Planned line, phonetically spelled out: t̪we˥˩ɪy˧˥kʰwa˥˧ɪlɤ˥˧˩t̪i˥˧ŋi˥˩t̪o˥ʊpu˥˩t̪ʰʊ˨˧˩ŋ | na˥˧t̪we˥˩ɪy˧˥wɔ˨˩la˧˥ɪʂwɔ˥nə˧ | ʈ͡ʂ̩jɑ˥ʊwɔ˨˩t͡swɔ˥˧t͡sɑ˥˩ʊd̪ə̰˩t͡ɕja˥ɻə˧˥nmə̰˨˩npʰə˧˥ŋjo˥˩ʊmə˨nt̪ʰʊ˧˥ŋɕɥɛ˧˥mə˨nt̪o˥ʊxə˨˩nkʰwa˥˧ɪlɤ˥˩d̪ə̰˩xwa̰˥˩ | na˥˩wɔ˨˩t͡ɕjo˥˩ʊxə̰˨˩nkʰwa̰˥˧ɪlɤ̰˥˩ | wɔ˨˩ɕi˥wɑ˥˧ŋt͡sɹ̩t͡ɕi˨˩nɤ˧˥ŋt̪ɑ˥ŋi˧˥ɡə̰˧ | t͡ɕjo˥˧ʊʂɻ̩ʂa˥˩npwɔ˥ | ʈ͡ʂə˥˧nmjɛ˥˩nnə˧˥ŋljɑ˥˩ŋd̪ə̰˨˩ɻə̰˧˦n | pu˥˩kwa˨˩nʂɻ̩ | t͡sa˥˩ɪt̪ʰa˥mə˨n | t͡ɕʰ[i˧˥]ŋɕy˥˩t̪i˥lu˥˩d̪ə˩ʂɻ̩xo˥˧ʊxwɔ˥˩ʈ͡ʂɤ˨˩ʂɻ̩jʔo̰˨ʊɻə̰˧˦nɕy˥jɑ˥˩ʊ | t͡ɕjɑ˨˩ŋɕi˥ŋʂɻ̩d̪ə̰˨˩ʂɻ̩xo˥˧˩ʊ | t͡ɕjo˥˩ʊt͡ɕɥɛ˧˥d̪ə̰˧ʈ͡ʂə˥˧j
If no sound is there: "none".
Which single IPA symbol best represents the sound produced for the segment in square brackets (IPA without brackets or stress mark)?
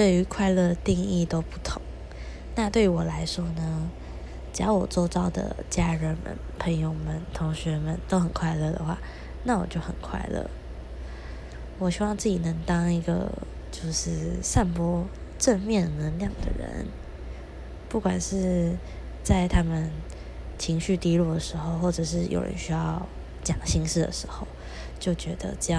i˧˥